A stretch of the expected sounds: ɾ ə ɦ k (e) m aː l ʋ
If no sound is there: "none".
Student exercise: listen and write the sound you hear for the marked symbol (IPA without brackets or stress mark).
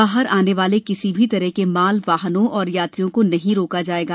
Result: e